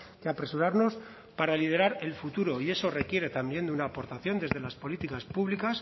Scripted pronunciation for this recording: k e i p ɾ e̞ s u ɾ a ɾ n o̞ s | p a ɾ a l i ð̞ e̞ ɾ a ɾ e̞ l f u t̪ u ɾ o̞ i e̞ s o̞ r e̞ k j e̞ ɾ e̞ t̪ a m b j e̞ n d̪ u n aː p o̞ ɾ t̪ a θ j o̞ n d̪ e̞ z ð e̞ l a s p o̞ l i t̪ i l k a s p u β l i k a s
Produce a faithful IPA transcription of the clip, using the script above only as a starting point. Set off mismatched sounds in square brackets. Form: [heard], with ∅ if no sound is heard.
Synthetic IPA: k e [a] p ɾ e̞ s u ɾ a ɾ n o̞ s | p a ɾ a l i ð̞ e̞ ɾ a ɾ e̞ l f u t̪ u ɾ o̞ i e̞ s o̞ r e̞ k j e̞ ɾ e̞ t̪ a m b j e̞ n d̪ u n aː p o̞ ɾ t̪ a θ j o̞ n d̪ e̞ z ð e̞ l a s p o̞ l i t̪ i [∅] k a s p u β l i k a s